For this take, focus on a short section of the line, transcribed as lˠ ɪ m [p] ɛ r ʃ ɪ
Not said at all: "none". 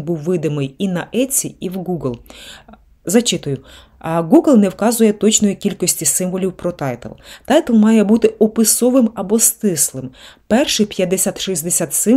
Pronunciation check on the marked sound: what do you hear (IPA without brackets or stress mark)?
p